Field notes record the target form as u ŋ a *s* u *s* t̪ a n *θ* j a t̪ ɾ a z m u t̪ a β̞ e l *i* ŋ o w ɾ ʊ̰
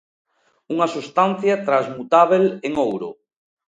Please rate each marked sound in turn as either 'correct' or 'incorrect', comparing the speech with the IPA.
correct, correct, correct, incorrect: e

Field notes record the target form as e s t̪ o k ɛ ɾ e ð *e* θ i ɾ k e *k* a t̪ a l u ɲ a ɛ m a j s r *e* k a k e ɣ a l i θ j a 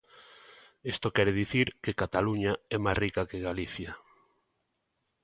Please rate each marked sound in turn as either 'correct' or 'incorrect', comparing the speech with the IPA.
incorrect: i, correct, incorrect: i

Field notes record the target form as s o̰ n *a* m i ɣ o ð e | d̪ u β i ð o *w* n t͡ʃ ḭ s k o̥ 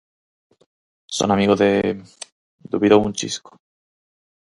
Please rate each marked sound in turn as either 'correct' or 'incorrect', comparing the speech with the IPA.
correct, incorrect: u

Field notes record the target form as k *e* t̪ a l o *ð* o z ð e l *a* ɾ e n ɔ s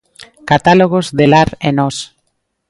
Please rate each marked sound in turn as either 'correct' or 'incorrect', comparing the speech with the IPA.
incorrect: a, incorrect: ɣ, correct

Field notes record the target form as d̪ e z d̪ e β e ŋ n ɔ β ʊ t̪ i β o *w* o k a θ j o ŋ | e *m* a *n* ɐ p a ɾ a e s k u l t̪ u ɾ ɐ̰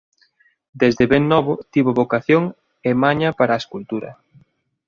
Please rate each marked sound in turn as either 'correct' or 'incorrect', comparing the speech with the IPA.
incorrect: β, correct, incorrect: ɲ

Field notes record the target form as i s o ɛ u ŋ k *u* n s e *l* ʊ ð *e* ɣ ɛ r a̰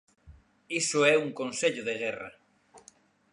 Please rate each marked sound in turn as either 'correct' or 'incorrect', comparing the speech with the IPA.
incorrect: o, incorrect: ʎ, correct

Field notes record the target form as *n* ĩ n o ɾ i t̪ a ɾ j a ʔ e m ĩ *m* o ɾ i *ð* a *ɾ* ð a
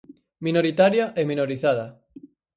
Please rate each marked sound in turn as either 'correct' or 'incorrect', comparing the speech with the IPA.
incorrect: m, incorrect: n, incorrect: θ, incorrect: none

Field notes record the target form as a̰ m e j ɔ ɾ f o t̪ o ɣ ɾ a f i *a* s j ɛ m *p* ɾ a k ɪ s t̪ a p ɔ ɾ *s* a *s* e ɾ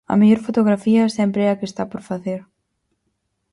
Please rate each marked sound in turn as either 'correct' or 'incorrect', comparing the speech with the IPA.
correct, correct, incorrect: f, incorrect: θ

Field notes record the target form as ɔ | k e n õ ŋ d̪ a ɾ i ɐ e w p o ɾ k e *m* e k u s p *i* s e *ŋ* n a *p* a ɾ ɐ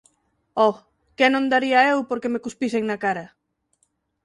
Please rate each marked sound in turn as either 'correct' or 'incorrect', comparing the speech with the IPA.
correct, correct, correct, incorrect: k

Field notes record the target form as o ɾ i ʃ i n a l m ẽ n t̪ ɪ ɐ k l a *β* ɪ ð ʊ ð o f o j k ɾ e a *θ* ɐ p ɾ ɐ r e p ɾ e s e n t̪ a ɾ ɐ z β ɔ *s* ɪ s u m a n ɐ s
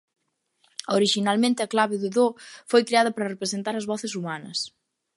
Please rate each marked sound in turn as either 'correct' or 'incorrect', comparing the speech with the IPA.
correct, incorrect: ð, incorrect: θ

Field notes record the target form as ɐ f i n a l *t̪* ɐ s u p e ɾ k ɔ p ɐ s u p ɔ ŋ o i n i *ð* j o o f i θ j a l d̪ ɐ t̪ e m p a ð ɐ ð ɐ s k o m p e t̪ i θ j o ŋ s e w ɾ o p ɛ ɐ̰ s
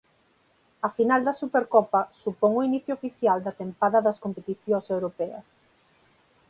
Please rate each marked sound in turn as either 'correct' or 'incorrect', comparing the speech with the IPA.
incorrect: d̪, incorrect: θ

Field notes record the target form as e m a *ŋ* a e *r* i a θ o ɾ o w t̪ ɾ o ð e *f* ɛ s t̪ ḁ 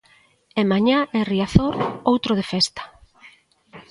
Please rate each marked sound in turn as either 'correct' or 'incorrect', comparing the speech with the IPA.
incorrect: ɲ, correct, correct

